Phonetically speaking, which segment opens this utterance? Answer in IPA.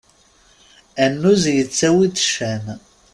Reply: æ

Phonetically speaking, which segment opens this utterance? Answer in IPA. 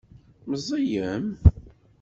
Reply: m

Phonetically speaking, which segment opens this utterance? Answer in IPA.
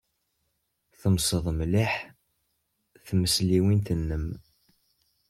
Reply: θ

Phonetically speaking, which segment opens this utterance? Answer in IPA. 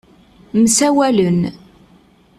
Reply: m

